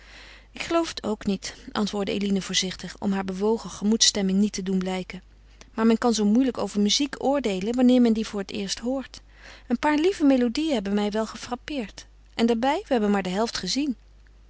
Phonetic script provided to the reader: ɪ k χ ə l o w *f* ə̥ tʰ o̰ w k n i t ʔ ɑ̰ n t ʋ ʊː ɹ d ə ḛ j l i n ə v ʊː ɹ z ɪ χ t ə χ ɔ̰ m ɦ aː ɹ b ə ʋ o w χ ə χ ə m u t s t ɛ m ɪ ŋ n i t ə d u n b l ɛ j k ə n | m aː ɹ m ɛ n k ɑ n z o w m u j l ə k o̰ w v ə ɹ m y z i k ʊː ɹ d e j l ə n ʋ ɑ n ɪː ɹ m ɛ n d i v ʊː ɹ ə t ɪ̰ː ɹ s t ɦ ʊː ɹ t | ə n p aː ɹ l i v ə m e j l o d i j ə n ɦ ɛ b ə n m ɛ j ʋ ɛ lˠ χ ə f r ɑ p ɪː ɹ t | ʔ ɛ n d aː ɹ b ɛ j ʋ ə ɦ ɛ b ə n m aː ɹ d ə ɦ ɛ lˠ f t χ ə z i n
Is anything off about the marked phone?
no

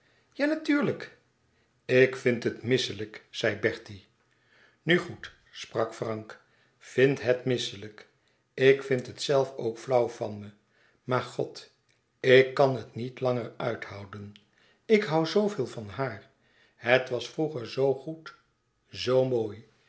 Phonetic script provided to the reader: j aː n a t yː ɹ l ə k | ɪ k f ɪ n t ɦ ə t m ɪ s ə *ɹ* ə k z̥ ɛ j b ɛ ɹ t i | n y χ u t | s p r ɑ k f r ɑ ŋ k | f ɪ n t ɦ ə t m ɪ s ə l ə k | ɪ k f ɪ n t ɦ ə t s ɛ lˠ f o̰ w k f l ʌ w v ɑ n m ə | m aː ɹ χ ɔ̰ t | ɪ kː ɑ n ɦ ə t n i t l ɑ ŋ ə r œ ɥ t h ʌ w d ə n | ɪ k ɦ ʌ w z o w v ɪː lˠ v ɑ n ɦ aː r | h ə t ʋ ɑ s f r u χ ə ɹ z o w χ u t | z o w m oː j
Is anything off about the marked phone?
yes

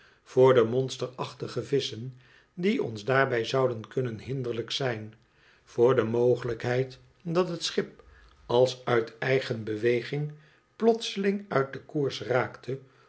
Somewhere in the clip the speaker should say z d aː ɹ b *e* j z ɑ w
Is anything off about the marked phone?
yes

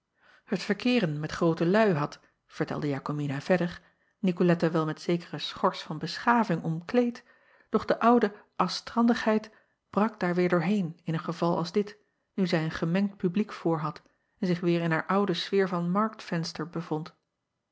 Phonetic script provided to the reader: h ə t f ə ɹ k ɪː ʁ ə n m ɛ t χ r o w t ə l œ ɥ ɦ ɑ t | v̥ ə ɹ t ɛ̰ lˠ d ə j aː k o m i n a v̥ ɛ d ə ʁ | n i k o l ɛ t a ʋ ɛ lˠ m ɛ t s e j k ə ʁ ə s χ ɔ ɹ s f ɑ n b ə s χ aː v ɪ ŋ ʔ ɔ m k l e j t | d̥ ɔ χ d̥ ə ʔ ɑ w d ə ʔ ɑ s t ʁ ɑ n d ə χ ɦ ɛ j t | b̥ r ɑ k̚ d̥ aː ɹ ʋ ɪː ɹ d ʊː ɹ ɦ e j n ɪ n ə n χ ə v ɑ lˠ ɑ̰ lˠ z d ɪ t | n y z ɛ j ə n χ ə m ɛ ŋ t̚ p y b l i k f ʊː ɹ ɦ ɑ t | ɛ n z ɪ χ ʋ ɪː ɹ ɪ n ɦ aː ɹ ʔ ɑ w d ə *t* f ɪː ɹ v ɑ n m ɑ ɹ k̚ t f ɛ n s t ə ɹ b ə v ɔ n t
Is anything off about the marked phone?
yes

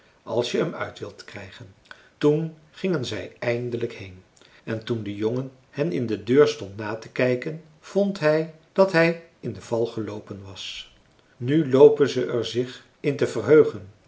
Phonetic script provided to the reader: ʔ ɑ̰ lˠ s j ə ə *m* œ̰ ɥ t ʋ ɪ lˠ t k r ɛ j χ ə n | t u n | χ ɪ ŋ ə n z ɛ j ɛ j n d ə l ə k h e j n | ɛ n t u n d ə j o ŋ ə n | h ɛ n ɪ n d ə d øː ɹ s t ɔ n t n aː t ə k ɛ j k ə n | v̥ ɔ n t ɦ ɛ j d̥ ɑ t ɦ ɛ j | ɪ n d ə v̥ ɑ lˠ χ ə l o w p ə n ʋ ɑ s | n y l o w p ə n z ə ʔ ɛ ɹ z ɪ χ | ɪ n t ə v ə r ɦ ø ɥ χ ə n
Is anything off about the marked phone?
no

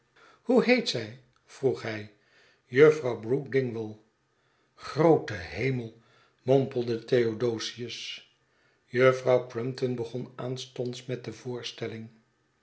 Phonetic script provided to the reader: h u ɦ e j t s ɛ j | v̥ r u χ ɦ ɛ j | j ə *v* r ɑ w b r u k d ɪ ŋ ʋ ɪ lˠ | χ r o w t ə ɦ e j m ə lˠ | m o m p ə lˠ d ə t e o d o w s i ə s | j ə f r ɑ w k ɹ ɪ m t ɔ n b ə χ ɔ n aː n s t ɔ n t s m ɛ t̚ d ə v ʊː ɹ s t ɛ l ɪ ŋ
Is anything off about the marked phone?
yes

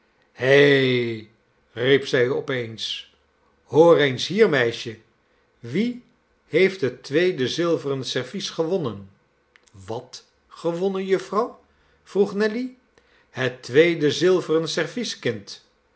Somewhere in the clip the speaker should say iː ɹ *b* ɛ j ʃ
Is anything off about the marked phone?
yes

